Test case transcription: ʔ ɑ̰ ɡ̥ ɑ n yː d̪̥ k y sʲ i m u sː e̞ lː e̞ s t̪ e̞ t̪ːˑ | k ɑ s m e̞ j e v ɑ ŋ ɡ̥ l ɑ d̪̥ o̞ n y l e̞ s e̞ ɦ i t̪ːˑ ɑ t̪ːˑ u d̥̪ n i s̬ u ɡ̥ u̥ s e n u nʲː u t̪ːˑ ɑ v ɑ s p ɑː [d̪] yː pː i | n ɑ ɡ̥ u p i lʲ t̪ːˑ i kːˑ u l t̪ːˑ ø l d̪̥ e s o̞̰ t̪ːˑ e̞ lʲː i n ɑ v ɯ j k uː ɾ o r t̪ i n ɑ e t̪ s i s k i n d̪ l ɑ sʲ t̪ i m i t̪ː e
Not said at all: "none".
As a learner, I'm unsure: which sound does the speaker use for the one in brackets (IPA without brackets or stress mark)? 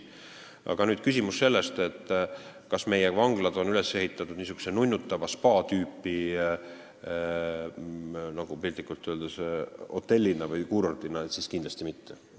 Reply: t̪